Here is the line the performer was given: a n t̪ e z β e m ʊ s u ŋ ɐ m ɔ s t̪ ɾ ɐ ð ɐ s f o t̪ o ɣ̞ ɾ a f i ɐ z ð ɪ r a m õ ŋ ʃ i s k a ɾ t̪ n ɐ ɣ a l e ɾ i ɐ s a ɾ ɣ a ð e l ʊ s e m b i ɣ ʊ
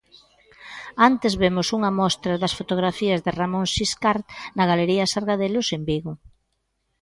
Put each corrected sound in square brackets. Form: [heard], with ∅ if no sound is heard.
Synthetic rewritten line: a n t̪ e z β e m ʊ s u ŋ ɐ m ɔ s t̪ ɾ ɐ ð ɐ s f o t̪ o ɣ̞ ɾ a f i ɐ z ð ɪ r a m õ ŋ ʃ i s k a ɾ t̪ n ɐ ɣ a l e ɾ i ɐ s a ɾ ɣ a ð e l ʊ s e m b i ɣ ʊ

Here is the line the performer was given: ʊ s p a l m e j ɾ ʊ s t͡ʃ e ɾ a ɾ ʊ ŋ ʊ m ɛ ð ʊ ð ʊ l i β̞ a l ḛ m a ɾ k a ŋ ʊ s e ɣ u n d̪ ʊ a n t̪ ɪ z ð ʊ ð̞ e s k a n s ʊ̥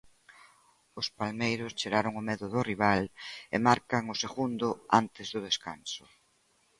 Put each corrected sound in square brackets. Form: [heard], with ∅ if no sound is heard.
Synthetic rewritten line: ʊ s p a l m e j ɾ ʊ s t͡ʃ e ɾ a ɾ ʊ ŋ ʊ m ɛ ð ʊ ð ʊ [r] i β̞ a l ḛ m a ɾ k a ŋ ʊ s e ɣ u n d̪ ʊ a n t̪ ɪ z ð ʊ ð̞ e s k a n s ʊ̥

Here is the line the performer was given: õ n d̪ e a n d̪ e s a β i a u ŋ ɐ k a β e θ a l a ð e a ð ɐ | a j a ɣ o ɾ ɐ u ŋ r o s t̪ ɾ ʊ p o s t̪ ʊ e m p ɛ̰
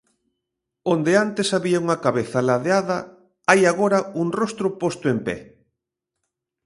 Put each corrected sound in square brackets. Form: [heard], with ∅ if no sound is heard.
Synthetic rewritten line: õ n d̪ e a n [t̪] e s a β i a u ŋ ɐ k a β e θ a l a ð e a ð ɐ | a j a ɣ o ɾ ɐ u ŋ r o s t̪ ɾ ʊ p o s t̪ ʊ e m p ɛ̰

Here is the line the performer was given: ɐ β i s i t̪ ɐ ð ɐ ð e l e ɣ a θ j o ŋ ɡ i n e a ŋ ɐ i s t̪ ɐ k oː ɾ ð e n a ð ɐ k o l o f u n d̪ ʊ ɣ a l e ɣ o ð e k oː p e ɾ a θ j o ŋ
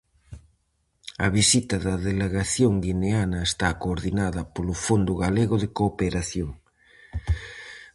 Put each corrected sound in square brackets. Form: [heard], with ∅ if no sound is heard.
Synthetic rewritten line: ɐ β i s i t̪ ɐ ð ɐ ð e l e ɣ a θ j o ŋ ɡ i n e a [n] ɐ [e] s t̪ [a] k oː ɾ ð [i] n a ð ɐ [p] o l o f [o] n d̪ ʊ ɣ a l e ɣ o ð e k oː p e ɾ a θ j o ŋ

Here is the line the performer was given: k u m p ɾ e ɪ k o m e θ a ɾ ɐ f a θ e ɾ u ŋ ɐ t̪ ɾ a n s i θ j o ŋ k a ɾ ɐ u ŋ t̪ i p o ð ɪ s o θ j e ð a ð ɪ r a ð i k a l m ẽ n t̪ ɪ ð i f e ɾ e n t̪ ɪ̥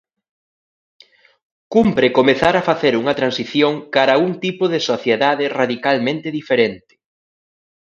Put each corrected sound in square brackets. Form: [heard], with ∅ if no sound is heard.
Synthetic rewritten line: k u m p ɾ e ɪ k o m e θ a ɾ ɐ f a θ e ɾ u ŋ ɐ t̪ ɾ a n s i θ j o ŋ k a ɾ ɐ u ŋ t̪ i p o ð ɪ s o θ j e ð a ð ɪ r a ð i k a l m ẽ n t̪ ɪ ð i f e ɾ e n t̪ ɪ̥

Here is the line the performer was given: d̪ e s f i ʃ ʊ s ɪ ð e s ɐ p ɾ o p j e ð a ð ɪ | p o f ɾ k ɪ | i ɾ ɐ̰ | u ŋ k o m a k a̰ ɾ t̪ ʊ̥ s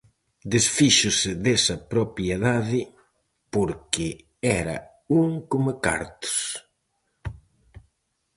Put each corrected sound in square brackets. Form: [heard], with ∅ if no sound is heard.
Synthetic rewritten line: d̪ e s f i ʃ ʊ s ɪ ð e s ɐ p ɾ o p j e ð a ð ɪ | p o [∅] ɾ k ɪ | [ɛ] ɾ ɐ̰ | u ŋ k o m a k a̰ ɾ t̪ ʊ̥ s

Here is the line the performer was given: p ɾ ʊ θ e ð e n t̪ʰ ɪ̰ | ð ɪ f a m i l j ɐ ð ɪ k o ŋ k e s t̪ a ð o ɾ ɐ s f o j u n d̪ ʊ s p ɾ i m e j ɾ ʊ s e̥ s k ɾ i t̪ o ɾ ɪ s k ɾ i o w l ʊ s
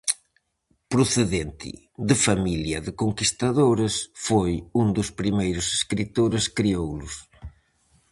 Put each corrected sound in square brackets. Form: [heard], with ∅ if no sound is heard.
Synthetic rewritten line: p ɾ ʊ θ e ð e n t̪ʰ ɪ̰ | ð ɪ f a m i l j ɐ ð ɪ k o ŋ k [i] s t̪ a ð o ɾ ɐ s f o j u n d̪ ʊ s p ɾ i m e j ɾ ʊ s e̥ s k ɾ i t̪ o ɾ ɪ s k ɾ i o w l ʊ s

